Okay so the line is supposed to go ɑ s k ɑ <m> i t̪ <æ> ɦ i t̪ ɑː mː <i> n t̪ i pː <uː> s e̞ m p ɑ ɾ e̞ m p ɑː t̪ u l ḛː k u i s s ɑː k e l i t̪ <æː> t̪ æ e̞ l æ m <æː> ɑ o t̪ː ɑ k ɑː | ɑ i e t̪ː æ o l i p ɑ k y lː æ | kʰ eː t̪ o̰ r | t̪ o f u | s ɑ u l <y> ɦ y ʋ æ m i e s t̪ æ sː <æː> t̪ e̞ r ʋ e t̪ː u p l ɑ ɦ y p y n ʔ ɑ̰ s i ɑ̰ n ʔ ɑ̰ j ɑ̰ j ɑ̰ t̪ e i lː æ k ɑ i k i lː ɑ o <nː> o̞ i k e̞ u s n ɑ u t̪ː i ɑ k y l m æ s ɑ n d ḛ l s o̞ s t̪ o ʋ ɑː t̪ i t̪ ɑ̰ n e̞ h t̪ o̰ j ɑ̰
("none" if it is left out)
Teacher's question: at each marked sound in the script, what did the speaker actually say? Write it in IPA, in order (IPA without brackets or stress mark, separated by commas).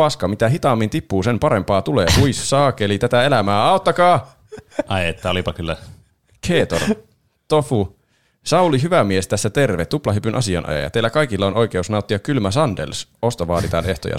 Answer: m, æ, i, uː, æ, æː, i, æ, n